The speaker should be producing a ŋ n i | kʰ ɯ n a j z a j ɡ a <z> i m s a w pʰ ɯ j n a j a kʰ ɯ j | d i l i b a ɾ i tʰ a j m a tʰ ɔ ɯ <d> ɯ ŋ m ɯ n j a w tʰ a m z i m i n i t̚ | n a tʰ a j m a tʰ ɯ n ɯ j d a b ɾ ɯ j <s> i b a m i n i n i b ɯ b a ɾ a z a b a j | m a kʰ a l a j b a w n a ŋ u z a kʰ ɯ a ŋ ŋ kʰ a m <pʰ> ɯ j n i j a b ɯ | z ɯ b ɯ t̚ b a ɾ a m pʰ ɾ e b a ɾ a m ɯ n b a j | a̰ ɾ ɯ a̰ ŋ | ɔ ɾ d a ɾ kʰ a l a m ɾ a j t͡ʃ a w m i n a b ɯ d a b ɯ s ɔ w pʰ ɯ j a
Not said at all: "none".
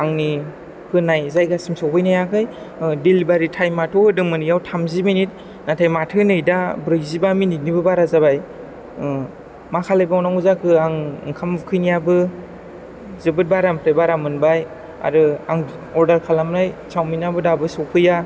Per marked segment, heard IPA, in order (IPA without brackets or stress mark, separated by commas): s, d, z, kʰ